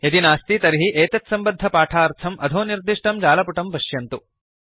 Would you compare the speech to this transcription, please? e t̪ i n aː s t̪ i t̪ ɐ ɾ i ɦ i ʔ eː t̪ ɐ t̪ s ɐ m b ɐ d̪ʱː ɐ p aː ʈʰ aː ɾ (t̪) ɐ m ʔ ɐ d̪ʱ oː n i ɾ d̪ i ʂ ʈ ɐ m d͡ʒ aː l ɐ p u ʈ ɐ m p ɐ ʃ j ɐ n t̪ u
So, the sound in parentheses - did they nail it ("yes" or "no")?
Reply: no